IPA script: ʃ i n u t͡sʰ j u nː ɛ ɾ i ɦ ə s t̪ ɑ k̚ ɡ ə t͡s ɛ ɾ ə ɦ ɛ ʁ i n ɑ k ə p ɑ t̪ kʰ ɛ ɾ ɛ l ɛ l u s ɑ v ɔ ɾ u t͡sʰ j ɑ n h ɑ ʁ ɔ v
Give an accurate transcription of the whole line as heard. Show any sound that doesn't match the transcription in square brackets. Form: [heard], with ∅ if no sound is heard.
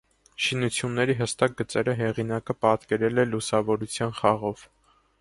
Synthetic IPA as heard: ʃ i n u t͡sʰ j u nː ɛ ɾ i ɦ ə s t̪ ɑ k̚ ɡ ə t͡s ɛ ɾ ə ɦ ɛ ʁ i n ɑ k ə p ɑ t̪ [k] ɛ ɾ ɛ l ɛ l u s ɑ v ɔ ɾ u t͡sʰ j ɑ n [χ] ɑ ʁ ɔ v